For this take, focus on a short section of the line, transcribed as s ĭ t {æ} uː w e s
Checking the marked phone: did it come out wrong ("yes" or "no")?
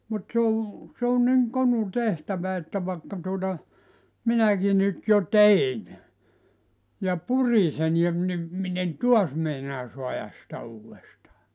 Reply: no